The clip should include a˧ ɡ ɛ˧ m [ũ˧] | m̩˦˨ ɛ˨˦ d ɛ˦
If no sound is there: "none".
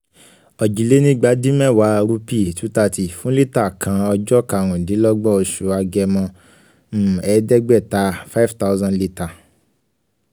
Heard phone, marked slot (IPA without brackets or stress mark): ɔ̃˧